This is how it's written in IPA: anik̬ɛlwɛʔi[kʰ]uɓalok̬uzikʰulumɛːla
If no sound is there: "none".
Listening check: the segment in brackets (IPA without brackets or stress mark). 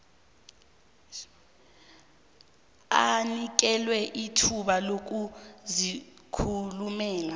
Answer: tʰ